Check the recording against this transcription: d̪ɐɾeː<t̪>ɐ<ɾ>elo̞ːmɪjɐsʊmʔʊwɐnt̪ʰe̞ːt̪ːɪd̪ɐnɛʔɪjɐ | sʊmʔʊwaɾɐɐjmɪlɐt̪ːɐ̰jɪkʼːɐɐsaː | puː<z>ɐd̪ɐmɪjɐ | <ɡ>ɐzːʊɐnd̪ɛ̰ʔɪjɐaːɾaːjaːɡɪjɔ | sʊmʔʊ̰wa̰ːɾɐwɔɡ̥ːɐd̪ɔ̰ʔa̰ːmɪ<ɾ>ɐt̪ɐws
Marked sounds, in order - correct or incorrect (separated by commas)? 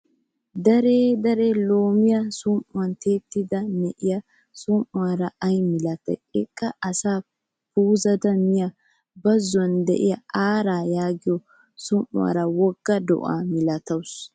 incorrect, correct, correct, incorrect, incorrect